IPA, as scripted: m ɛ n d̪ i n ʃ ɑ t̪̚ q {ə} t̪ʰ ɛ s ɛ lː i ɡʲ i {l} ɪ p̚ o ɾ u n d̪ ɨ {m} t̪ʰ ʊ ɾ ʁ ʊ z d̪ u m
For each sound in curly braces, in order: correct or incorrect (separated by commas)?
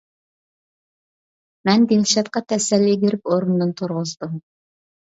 incorrect, incorrect, incorrect